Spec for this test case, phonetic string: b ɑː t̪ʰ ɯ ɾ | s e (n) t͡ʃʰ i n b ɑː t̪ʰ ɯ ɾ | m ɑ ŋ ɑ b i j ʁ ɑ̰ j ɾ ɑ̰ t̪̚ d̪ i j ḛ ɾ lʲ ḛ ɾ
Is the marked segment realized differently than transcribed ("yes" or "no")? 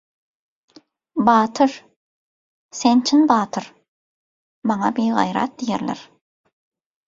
no